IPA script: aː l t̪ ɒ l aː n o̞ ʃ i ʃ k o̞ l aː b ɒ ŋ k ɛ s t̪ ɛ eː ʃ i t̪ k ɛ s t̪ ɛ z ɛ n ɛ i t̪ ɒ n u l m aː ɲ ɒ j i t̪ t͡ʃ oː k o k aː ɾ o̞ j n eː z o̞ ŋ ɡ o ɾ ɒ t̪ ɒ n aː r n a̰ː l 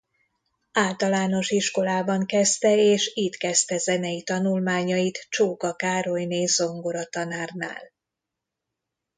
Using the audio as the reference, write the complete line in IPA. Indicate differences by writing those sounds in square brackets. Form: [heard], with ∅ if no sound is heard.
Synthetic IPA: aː l t̪ ɒ l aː n o̞ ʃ i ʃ k o̞ l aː b ɒ ŋ k ɛ s t̪ ɛ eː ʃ i t̪ k ɛ s t̪ ɛ z ɛ n ɛ i t̪ ɒ n u l m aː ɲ ɒ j i t̪ t͡ʃ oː k [ɒ] k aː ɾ o̞ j n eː z o̞ ŋ ɡ o ɾ ɒ t̪ ɒ n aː r n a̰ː l